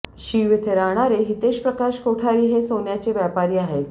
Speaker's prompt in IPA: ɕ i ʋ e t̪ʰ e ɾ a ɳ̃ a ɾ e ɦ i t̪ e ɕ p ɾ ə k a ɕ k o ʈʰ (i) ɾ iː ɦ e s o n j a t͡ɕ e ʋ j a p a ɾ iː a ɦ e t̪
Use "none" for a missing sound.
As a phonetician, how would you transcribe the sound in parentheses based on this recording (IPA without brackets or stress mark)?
a